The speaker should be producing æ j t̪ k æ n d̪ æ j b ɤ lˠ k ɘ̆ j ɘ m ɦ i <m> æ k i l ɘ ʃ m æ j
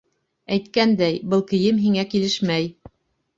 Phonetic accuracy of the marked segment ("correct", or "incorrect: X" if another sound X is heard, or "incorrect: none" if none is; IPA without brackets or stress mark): incorrect: ŋ